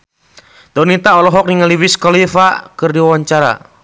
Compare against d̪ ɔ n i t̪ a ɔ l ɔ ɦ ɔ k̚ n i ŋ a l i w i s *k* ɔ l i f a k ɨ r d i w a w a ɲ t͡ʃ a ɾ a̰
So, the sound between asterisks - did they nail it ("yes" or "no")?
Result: yes